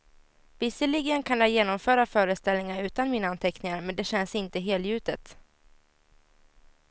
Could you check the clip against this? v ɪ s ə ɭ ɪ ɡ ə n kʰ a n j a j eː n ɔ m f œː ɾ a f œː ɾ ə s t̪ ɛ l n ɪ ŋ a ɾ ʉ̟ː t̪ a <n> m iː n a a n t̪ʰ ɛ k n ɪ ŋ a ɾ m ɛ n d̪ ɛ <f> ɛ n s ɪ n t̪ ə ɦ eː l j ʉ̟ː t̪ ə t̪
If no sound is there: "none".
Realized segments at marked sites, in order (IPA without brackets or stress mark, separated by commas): n, ɕ